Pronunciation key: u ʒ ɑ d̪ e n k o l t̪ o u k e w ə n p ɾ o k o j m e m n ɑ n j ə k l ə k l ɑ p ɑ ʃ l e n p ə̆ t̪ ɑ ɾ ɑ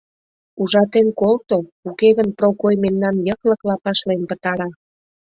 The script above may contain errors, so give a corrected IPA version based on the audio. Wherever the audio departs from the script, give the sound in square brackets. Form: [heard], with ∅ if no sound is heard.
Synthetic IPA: u ʒ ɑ [t̪] e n k o l t̪ o u k e [ɣ] ə n p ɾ o k o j m e m n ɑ n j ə k l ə k l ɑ p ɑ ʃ l e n p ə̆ t̪ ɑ ɾ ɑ